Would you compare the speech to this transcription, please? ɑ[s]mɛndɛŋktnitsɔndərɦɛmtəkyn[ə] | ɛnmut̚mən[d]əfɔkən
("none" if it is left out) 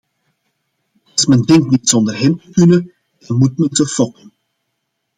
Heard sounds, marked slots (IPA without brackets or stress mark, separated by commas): s, ə, t